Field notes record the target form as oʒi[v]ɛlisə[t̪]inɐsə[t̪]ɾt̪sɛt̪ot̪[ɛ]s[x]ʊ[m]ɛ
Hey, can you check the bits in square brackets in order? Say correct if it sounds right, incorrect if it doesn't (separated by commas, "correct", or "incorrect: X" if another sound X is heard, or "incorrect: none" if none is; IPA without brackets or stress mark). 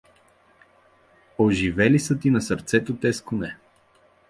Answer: correct, correct, incorrect: none, correct, incorrect: k, incorrect: n